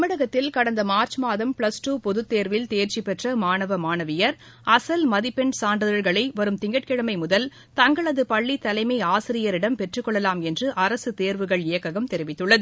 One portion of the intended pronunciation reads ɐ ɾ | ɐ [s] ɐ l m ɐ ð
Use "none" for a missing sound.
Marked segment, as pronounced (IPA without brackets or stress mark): s